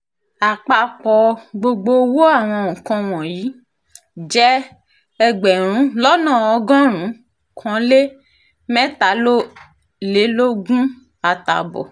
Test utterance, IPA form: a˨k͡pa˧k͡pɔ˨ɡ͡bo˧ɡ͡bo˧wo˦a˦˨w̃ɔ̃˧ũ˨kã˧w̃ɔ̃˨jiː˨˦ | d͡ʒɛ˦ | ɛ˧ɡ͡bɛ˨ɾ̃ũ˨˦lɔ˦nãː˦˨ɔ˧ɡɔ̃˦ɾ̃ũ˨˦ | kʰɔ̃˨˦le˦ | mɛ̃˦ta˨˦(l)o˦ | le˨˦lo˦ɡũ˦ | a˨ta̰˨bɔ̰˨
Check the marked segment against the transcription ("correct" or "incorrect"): correct